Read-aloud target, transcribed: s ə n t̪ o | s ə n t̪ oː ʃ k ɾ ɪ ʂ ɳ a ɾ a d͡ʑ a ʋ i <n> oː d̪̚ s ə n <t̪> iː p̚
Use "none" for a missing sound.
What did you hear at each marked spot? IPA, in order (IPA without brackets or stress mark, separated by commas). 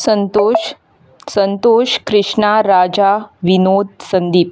n, d̪